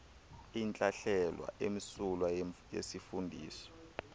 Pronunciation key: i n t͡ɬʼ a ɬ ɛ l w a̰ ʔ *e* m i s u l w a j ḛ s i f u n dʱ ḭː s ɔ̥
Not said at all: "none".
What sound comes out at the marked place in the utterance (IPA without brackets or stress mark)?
e